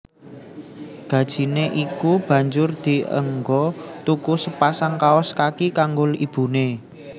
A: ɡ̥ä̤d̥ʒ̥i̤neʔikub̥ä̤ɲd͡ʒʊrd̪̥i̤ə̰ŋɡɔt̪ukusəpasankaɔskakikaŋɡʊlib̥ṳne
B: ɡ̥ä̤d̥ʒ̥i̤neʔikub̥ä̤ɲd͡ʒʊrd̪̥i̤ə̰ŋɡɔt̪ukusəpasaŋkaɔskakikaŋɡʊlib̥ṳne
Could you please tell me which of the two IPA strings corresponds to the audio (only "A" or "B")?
B